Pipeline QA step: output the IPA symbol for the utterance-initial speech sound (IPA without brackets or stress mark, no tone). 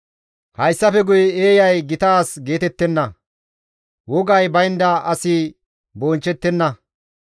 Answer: h